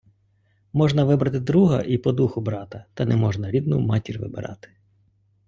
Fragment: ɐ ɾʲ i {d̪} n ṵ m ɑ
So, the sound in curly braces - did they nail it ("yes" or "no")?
yes